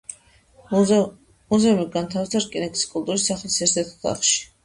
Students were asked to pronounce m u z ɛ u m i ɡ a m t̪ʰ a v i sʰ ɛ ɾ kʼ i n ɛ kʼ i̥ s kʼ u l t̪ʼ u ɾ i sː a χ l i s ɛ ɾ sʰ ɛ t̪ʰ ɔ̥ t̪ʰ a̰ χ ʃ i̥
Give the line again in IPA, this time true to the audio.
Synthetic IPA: m u z ɛ u m i ɡ a n t̪ʰ a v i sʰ a ɾ kʼ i n ɛ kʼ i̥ s kʼ u l t̪ʼ u ɾ i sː a χ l i s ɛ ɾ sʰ ɛ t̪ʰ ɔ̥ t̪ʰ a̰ χ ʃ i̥